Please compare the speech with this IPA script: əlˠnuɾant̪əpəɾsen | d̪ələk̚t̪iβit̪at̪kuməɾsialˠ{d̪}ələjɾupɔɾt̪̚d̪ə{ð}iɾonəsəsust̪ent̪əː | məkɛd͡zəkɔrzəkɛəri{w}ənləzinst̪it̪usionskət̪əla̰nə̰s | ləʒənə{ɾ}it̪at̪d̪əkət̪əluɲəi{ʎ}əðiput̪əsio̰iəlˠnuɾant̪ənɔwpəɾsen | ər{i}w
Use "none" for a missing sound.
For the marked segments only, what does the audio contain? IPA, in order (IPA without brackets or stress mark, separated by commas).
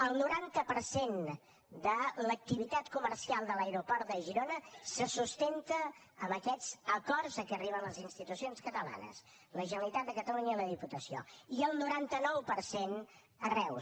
d̪, ʒ, β, l, l, ɛ